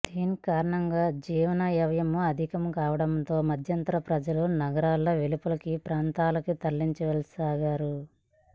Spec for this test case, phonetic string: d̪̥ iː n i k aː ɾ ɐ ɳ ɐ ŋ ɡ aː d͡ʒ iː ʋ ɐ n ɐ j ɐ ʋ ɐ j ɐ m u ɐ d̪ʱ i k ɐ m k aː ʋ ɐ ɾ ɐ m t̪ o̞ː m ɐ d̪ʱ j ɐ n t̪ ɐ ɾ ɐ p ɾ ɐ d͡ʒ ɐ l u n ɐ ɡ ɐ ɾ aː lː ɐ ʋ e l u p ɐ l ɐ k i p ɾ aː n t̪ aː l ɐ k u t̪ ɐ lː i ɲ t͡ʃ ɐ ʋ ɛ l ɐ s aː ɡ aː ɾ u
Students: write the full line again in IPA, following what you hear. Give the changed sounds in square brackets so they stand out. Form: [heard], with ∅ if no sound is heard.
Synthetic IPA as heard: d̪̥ iː n i k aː ɾ ɐ ɳ ɐ ŋ ɡ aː d͡ʒ iː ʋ ɐ n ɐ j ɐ ʋ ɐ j ɐ m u ɐ d̪ʱ i k ɐ m k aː ʋ ɐ [ɽ] ɐ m t̪ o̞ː m ɐ d̪ʱ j ɐ n t̪ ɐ ɾ ɐ p ɾ ɐ d͡ʒ ɐ l u n ɐ ɡ ɐ ɾ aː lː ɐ ʋ e l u p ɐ l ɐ k i p ɾ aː n t̪ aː l ɐ k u t̪ ɐ lː i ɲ t͡ʃ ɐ ʋ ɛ l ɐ s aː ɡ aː ɾ u